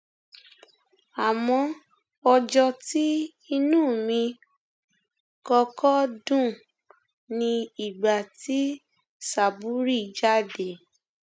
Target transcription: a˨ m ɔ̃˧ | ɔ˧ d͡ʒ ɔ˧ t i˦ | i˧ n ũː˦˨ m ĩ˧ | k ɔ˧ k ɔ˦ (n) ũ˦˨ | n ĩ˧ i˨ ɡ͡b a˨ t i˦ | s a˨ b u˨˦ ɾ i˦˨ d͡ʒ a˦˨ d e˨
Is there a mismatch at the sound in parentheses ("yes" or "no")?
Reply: yes